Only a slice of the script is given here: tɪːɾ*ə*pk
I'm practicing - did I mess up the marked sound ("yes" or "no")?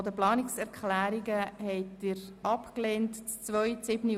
yes